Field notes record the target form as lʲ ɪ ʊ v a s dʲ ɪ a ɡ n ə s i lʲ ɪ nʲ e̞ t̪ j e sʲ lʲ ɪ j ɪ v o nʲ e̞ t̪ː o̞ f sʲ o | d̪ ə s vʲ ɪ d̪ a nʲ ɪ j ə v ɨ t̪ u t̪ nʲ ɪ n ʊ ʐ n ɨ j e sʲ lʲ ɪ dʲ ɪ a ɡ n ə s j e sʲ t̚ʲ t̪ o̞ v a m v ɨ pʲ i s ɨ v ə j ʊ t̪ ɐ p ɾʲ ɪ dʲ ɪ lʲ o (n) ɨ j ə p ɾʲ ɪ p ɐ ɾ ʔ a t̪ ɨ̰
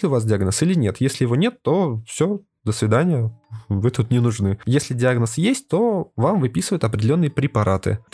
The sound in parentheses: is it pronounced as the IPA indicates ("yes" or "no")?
no